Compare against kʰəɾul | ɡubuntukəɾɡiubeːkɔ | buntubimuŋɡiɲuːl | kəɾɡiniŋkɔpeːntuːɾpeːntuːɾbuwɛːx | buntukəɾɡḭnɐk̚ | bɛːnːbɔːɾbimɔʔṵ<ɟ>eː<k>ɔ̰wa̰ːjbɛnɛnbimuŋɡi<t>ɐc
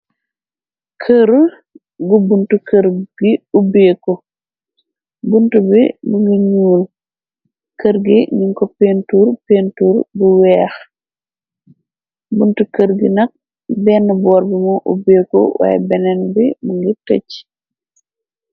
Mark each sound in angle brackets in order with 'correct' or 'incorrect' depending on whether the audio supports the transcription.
incorrect, correct, correct

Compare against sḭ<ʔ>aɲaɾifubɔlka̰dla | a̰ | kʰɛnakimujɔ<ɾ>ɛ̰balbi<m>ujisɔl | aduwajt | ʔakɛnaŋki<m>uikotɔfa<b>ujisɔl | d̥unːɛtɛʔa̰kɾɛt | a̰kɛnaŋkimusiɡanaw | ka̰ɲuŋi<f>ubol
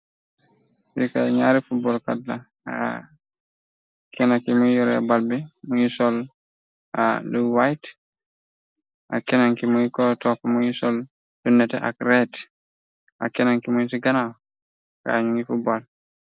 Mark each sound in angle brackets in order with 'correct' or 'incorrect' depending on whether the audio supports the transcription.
incorrect, correct, correct, correct, incorrect, correct

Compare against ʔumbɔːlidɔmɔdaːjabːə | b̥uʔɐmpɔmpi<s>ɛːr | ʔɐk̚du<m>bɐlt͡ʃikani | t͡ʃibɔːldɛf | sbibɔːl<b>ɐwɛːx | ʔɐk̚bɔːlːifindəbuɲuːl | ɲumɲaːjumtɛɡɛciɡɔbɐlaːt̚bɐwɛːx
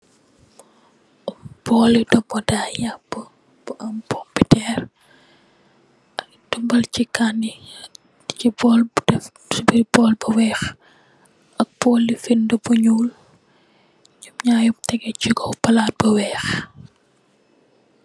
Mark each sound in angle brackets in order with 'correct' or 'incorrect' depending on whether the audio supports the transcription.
incorrect, correct, correct

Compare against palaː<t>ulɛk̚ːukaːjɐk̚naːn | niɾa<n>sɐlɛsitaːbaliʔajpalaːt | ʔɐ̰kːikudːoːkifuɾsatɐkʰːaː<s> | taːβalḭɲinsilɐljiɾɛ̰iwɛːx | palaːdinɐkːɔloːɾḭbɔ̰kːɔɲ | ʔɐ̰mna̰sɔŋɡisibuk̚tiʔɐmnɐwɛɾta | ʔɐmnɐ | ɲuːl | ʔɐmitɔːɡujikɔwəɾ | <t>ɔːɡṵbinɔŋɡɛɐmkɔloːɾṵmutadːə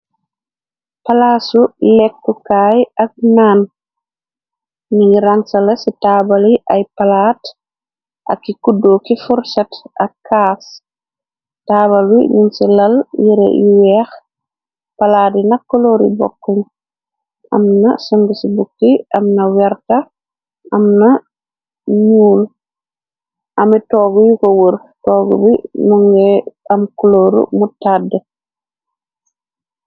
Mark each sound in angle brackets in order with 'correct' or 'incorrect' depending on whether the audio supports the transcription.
incorrect, incorrect, correct, correct

